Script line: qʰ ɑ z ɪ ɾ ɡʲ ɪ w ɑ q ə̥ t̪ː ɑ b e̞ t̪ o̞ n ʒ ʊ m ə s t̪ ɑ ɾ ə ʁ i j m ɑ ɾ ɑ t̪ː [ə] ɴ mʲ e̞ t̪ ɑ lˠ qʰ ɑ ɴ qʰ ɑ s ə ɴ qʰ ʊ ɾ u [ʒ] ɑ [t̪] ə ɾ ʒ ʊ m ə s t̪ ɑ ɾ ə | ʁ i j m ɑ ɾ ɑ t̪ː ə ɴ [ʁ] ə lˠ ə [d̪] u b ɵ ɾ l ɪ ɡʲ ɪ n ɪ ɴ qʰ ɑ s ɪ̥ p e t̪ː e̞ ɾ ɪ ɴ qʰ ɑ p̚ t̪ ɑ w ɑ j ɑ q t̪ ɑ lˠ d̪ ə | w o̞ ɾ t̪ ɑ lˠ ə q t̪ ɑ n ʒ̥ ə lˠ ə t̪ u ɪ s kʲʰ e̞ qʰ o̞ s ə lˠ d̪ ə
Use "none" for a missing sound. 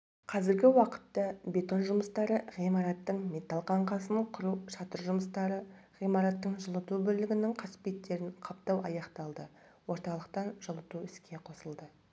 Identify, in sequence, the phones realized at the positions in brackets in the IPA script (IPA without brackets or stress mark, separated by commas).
ə, ʃ, t̪, ʒ, t̪